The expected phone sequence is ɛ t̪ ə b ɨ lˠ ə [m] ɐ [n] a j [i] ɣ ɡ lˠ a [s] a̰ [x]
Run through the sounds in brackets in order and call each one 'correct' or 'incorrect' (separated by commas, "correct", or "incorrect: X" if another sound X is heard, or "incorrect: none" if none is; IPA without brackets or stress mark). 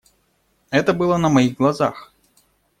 incorrect: n, incorrect: m, correct, incorrect: z, correct